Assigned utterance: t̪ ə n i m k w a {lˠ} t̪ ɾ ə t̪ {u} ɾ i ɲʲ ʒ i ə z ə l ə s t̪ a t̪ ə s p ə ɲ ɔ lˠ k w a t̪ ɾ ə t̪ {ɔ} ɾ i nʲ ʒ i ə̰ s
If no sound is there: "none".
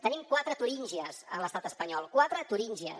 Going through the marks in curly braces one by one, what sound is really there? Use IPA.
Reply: none, u, u

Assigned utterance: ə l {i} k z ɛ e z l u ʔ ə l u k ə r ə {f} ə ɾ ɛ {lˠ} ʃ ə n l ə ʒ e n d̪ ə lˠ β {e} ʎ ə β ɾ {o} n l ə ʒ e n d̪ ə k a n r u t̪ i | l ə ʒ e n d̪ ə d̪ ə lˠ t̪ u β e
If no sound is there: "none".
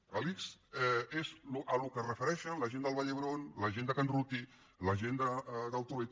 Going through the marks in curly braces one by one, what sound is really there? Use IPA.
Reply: i, f, none, a, o

